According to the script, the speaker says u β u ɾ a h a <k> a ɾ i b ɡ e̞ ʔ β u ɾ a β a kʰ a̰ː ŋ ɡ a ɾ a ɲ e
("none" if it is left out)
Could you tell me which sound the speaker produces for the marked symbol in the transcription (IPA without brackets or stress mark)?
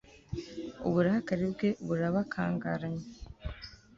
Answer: k